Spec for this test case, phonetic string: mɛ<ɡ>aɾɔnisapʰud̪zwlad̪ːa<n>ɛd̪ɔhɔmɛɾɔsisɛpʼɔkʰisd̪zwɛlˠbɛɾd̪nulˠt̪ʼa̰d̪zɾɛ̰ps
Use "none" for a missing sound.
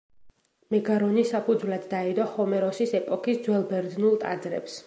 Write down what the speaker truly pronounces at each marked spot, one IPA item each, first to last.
ɡ, none

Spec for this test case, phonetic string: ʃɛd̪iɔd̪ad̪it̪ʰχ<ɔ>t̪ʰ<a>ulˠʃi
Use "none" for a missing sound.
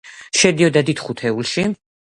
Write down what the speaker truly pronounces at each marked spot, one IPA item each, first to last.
u, ɛ

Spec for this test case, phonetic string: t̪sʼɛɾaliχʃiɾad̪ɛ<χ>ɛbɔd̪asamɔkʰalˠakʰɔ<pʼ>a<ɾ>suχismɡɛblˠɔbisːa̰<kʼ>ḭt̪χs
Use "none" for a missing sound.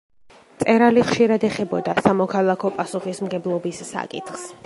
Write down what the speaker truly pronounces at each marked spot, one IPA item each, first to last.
χ, pʼ, none, kʼ

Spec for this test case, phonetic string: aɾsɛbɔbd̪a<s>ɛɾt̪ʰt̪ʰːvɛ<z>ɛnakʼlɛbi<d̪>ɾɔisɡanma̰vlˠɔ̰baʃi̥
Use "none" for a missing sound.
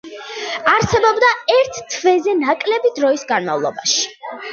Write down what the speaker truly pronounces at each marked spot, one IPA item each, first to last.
none, z, d̪

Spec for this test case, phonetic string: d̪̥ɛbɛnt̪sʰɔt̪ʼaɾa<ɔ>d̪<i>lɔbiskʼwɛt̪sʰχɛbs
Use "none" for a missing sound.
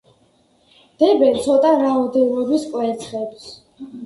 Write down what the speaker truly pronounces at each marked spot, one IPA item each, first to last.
ɔ, ɛ

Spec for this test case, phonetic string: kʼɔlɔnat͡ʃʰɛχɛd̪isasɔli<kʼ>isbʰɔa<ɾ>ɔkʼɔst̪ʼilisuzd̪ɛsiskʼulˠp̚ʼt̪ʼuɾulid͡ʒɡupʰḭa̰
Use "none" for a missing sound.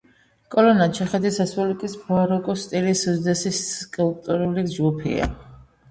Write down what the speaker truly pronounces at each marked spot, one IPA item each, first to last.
kʼ, ɾ

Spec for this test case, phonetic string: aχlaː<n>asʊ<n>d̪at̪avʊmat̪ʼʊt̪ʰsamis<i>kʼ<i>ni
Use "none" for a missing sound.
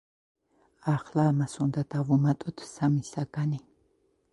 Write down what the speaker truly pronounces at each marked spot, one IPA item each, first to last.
m, n, a, a

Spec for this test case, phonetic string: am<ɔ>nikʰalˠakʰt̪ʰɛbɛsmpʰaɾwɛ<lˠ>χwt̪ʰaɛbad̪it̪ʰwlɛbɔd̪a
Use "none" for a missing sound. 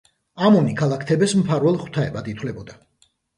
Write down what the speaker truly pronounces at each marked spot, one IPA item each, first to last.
ɔ, lˠ

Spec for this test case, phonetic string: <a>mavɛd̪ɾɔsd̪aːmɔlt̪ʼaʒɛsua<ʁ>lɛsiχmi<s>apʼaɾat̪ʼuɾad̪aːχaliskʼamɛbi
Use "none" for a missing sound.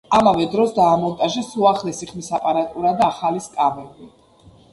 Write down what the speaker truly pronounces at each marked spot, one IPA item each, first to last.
a, χ, s

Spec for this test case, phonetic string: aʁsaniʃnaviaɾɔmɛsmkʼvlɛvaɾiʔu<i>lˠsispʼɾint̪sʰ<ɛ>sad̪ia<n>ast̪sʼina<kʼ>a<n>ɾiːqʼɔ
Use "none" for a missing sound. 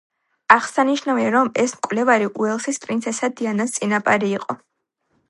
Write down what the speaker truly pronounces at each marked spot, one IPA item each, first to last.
ɛ, ɛ, n, pʼ, none

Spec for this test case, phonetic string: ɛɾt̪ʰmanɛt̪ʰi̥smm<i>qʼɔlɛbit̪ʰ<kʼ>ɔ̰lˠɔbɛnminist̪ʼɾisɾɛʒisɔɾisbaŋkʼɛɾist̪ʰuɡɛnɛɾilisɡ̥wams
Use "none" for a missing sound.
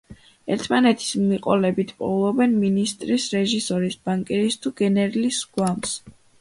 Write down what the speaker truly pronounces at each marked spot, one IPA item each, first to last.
i, pʼ

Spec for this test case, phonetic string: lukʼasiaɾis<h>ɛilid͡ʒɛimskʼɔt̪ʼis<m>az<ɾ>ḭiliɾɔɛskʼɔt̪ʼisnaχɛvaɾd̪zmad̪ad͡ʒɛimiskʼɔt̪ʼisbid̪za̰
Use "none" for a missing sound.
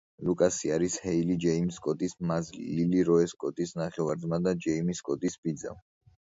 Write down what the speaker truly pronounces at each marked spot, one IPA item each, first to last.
h, m, l

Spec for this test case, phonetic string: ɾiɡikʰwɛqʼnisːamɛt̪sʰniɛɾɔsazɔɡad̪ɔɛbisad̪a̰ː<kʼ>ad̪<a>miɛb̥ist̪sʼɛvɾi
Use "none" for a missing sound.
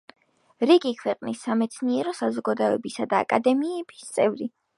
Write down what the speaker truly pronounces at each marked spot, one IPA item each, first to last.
kʼ, ɛ

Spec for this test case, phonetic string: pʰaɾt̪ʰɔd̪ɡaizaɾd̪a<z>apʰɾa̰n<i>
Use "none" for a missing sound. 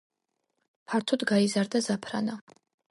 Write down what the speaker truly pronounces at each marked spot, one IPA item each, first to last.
z, a

